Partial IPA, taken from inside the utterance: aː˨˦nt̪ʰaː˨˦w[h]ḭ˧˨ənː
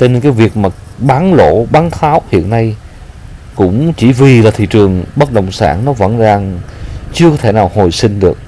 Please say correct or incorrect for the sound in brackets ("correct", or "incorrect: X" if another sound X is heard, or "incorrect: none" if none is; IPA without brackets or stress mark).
correct